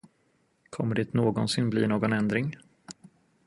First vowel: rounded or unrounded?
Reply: rounded